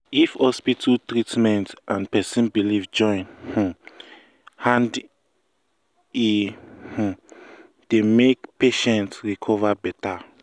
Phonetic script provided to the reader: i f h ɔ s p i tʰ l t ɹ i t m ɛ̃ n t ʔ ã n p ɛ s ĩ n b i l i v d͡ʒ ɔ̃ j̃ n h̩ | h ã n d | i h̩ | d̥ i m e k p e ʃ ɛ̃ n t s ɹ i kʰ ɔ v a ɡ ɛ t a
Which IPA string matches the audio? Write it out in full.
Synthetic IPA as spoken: i f h ɔ s p i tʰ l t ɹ i t m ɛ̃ n t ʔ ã n p ɛ s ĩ n b i l i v d͡ʒ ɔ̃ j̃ n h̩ | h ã n d | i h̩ | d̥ e m e k p e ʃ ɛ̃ n t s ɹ i kʰ ɔ v a b ɛ t a